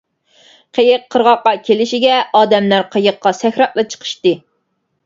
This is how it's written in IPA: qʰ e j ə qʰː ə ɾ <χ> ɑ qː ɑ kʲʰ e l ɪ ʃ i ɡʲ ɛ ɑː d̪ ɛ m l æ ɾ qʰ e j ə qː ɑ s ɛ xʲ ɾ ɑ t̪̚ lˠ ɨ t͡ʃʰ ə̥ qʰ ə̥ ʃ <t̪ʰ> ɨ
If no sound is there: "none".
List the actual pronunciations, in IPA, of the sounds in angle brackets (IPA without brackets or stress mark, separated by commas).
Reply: ʁ, t̪